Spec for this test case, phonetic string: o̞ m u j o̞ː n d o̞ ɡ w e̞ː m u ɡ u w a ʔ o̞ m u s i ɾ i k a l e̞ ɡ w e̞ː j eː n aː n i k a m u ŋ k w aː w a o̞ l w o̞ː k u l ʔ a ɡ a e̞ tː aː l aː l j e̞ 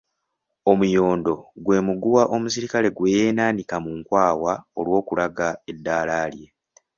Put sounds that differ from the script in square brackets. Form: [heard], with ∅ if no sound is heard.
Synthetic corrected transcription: o̞ m u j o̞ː n d o̞ ɡ w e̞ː m u ɡ u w a ʔ o̞ m u s i ɾ i k a l e̞ ɡ w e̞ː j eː n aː n i k a m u ŋ k w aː w a o̞ l w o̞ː k u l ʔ a ɡ a e̞ [dː] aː l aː l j e̞